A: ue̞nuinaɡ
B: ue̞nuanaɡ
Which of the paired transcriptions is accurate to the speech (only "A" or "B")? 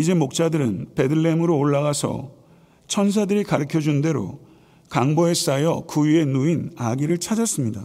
A